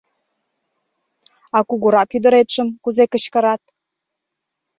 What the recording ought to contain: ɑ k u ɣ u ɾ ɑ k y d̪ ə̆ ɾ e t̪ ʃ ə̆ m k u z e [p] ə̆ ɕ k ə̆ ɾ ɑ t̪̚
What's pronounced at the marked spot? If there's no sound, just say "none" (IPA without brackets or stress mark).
k